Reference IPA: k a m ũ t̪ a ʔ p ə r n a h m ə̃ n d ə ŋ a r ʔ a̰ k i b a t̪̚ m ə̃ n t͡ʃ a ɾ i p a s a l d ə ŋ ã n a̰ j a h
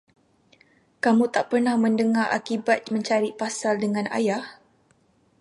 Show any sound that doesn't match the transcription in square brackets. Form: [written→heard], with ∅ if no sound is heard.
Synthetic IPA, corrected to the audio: k a m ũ t̪ a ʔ p ə r n a h m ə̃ n d ə ŋ a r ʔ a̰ k i b a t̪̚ m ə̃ [n→ɲ] t͡ʃ a ɾ i p a s a l d ə ŋ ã n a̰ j a h